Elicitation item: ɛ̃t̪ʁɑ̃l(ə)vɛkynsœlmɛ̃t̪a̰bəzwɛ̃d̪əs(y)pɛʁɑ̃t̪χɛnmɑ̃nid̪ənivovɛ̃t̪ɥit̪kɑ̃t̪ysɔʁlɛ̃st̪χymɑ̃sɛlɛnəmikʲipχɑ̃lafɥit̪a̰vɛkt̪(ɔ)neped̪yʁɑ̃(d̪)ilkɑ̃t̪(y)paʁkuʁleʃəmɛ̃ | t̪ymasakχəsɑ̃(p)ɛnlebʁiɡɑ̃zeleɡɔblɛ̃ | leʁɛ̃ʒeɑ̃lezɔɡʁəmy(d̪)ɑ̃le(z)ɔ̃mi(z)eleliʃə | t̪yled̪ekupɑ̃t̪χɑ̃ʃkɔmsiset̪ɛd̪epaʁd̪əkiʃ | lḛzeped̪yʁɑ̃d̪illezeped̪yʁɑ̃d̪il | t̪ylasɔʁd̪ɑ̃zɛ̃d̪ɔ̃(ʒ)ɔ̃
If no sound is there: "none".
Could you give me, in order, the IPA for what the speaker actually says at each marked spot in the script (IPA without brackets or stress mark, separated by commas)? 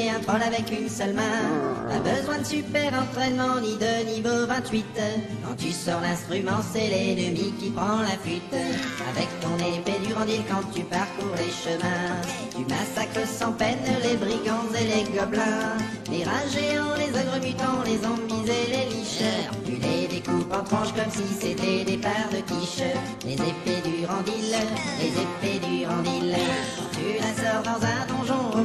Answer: a, y, ɔ̃, d̪, y, p, t̪, z, z, ʒ